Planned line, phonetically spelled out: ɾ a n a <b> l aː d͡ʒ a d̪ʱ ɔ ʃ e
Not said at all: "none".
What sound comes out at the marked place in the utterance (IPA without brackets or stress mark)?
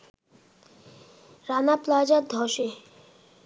p